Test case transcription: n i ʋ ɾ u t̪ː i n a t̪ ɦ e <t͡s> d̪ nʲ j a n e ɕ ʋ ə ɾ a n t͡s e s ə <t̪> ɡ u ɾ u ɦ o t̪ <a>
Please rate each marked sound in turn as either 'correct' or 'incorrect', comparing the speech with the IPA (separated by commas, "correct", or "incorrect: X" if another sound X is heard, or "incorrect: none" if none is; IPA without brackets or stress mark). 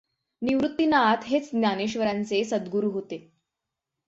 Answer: correct, incorrect: d̪, incorrect: e